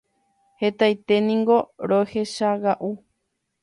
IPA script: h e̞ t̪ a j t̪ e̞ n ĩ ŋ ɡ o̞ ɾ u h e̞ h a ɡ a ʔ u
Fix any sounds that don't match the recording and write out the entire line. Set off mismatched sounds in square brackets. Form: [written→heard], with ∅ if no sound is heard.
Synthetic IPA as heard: h e̞ t̪ a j t̪ e̞ n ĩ ŋ ɡ o̞ ɾ [u→o] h e̞ [h→ʃ] a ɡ a ʔ u